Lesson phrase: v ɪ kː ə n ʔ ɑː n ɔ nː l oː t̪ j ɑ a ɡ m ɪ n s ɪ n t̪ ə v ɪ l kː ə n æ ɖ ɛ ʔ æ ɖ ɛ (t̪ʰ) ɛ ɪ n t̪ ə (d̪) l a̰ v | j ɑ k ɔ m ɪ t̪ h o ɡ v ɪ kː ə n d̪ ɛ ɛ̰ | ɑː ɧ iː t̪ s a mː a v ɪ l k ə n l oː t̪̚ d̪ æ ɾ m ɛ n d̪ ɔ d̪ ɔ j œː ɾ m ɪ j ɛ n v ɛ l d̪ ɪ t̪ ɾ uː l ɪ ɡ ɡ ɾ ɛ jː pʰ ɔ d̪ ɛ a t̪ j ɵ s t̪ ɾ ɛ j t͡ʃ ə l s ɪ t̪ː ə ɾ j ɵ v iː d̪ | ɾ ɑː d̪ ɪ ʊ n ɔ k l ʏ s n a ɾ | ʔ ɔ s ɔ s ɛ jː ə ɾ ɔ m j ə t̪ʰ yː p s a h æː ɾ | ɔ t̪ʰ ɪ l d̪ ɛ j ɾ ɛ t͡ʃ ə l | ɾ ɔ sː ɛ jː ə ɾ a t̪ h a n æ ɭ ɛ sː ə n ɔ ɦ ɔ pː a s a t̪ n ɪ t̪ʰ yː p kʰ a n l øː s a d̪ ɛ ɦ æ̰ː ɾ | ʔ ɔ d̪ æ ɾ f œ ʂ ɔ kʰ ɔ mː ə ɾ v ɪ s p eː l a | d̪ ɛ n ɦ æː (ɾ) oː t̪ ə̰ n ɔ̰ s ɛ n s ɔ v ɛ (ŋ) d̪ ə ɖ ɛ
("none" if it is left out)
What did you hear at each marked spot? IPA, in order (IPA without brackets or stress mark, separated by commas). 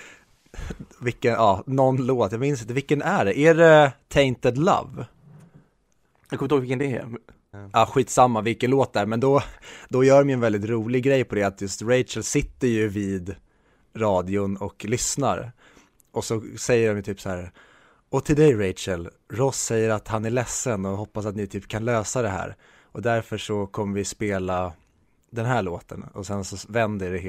t̪ʰ, d̪, ɭ, n